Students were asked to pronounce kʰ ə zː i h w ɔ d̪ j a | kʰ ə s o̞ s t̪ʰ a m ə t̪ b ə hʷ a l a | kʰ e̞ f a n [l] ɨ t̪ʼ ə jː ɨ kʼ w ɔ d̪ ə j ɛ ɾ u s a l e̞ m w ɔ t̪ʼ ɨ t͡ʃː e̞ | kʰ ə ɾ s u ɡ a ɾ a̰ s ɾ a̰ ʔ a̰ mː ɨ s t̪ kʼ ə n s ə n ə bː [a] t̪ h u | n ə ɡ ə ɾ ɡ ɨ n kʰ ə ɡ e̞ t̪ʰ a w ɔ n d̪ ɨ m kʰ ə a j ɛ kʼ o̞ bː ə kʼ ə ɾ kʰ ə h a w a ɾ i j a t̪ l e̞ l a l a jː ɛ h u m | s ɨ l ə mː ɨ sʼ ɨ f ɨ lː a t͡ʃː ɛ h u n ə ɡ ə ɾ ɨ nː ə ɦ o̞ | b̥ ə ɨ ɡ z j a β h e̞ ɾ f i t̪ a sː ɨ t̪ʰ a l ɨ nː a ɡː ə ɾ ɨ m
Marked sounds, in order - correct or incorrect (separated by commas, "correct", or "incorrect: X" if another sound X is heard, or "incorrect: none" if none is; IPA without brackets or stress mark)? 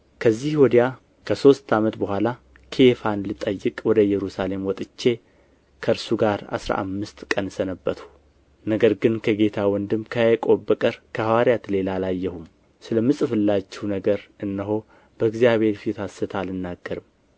correct, incorrect: ə